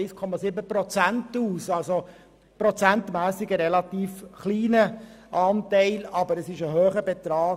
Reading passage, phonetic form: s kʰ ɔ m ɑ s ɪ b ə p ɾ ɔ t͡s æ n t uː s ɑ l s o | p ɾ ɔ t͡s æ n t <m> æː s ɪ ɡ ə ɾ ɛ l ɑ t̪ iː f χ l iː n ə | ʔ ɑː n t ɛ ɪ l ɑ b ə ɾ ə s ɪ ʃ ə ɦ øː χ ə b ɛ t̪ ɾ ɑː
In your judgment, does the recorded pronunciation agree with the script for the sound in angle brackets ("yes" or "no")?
yes